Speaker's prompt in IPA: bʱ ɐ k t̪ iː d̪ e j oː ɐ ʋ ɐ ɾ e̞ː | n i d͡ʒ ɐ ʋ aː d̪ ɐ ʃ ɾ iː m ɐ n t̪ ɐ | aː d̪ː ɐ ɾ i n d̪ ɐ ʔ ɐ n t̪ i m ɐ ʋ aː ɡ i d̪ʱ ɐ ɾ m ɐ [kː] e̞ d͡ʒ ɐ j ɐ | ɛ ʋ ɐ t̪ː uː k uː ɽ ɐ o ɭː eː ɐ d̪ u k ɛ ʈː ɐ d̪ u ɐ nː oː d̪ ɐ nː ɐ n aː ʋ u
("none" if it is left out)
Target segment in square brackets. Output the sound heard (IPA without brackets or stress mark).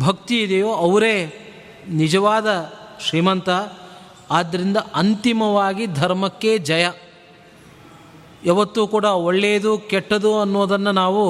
kː